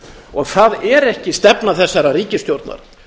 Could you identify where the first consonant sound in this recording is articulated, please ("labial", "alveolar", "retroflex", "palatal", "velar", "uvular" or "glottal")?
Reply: velar